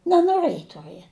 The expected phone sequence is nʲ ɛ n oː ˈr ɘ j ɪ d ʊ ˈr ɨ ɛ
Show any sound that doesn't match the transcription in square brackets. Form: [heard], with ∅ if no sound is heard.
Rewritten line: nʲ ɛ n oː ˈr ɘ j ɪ [t] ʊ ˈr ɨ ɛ